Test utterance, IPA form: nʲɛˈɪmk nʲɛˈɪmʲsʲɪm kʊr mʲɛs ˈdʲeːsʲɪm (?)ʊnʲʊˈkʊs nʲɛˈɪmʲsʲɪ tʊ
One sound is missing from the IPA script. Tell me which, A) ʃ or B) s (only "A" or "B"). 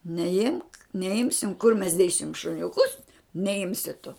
A